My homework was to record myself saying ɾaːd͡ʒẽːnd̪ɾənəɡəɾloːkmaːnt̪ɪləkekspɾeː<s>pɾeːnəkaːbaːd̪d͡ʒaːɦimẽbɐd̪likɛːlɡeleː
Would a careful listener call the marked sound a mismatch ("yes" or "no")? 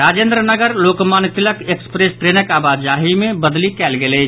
no